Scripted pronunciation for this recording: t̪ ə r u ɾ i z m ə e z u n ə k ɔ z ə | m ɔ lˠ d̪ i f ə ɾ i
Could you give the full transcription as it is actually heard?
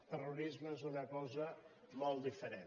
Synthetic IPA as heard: t̪ ə r u ɾ i z m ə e z u n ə k ɔ z ə | m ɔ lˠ d̪ i f ə ɾ e